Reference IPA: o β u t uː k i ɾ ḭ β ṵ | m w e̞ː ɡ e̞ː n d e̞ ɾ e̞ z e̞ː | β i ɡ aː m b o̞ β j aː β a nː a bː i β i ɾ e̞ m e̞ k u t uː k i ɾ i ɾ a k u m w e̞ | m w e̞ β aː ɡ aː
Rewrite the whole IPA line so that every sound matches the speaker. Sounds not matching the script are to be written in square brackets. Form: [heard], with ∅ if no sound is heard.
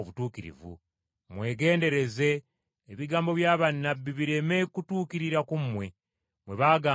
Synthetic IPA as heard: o β u t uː k i ɾ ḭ [v] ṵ | m w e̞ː ɡ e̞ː n d e̞ ɾ e̞ z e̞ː | β i ɡ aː m b o̞ β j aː β a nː a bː i β i ɾ e̞ m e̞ k u t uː k i ɾ i ɾ a k u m w e̞ | m w e̞ β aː ɡ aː

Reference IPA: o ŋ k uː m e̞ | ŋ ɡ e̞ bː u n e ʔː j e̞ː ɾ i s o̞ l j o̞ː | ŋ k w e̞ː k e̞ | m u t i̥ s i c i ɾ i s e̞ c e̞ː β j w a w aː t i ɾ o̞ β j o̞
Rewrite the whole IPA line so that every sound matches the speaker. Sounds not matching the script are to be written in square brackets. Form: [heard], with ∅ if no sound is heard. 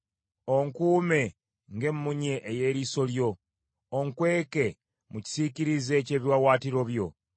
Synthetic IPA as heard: o ŋ k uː m e̞ | ŋ ɡ e̞ [mː] u [ɲ] e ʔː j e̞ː ɾ i s o̞ l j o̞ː | ŋ k w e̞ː k e̞ | m u [c] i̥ s i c i ɾ i [z] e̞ c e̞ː β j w a w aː t i ɾ o̞ β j o̞

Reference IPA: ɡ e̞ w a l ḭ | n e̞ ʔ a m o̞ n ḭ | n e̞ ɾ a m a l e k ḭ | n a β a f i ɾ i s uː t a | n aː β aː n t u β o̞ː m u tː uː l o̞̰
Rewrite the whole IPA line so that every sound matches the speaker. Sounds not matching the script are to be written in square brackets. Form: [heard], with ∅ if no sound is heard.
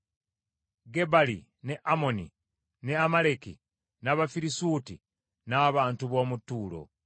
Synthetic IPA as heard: ɡ e̞ [b] a l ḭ | n e̞ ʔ a m o̞ n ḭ | n e̞ [∅] a m a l e k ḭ | n a β a f i ɾ i s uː t [i] | n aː β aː n t u β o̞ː m u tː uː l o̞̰

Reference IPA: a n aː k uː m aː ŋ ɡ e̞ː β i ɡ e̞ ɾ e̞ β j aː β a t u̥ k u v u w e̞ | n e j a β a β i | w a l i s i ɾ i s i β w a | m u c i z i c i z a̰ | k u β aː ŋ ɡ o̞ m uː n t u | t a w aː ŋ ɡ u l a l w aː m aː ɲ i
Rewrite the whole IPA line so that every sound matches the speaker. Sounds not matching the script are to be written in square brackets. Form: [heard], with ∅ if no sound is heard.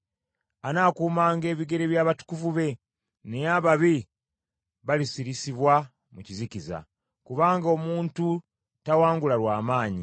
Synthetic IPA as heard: a n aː k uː m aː ŋ ɡ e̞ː β i ɡ e̞ ɾ e̞ β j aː β a t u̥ k u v u [β] e̞ | n e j a β a β i | [β] a l i s i ɾ i s i β w a | m u c i z i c i z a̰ | k u β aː ŋ ɡ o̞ m uː n t u | t a w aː ŋ ɡ u l a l w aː m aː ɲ i

